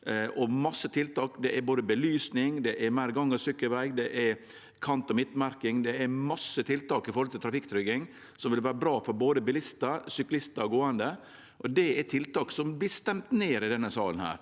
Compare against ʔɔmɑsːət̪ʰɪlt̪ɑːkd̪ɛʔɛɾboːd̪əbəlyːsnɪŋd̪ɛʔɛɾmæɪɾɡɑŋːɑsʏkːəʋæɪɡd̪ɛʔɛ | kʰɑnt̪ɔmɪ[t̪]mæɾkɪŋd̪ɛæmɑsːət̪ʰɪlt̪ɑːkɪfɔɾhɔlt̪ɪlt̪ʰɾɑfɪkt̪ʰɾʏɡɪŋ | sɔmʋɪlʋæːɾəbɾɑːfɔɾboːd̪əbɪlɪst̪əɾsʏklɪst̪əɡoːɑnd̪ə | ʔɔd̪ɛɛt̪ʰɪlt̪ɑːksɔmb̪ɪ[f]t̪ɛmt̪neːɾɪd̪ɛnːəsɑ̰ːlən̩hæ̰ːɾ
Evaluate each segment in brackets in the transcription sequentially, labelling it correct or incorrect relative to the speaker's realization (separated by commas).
correct, incorrect